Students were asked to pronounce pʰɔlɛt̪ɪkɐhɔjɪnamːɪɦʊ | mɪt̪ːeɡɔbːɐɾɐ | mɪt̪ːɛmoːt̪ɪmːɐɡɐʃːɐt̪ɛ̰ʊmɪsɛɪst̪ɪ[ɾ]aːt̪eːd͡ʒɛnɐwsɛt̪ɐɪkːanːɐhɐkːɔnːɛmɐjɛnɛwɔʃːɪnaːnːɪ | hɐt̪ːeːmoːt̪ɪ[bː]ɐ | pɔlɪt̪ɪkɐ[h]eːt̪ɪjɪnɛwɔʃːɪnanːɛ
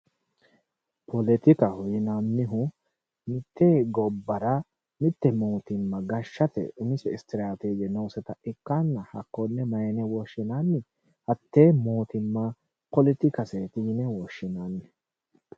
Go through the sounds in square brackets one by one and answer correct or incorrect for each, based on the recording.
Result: correct, incorrect: mː, incorrect: s

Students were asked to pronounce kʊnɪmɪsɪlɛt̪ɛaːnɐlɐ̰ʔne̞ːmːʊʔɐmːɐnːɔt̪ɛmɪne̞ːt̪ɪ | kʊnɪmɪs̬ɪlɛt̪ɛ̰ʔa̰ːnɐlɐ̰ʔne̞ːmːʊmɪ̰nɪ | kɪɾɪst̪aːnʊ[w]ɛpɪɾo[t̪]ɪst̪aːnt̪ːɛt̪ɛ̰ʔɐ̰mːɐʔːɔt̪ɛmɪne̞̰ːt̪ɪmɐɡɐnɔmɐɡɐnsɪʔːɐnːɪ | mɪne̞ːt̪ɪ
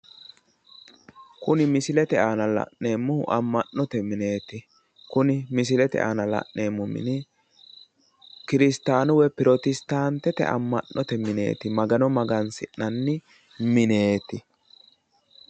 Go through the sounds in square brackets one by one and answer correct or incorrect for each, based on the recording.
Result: correct, correct

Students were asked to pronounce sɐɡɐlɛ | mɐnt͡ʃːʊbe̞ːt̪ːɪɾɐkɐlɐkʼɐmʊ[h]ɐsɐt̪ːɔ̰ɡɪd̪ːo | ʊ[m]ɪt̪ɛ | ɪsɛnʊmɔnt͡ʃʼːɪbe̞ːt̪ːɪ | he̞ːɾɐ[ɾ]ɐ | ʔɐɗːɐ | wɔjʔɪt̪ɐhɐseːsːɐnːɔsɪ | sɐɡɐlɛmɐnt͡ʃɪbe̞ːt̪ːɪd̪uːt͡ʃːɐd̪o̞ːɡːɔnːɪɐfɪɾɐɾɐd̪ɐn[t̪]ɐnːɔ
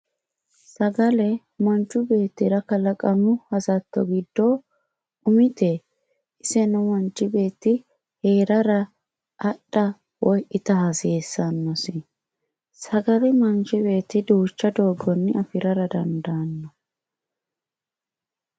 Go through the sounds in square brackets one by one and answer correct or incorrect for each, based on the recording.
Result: correct, correct, correct, incorrect: d̪

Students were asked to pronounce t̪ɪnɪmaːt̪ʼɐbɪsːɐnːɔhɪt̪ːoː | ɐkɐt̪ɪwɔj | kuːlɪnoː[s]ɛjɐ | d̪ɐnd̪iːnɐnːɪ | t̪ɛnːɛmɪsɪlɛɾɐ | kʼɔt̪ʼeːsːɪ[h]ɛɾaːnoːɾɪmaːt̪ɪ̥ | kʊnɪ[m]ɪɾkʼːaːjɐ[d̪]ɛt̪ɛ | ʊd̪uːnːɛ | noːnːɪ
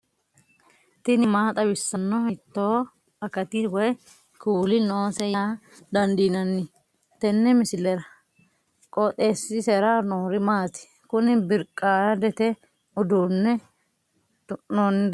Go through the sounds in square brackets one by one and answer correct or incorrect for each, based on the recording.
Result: correct, incorrect: s, incorrect: b, correct

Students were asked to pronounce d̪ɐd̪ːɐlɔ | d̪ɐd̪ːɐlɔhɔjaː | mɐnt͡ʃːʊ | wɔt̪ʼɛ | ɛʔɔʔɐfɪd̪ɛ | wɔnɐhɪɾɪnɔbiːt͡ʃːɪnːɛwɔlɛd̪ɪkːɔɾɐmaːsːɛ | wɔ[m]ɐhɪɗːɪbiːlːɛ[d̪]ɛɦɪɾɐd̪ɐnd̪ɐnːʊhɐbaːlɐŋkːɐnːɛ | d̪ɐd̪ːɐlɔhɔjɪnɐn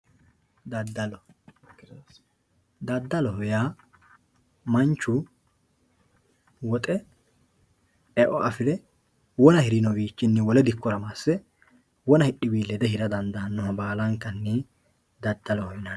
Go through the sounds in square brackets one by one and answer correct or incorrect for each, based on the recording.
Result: incorrect: n, correct

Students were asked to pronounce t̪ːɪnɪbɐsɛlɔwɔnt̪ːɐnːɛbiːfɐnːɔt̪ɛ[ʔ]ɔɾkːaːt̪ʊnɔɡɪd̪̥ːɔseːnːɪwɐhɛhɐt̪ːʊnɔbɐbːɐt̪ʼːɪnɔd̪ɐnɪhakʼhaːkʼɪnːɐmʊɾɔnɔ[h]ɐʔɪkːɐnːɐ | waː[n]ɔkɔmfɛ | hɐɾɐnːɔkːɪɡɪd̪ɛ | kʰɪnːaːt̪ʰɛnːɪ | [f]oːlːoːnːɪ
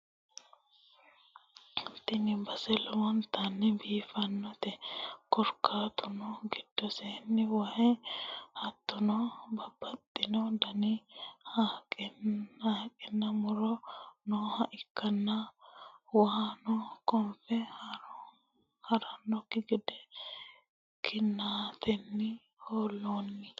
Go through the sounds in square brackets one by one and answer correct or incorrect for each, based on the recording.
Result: incorrect: k, correct, correct, incorrect: h

